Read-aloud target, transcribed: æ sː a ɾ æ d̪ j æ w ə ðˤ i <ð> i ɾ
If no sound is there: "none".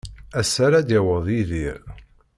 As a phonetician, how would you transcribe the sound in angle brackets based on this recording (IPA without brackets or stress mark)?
ð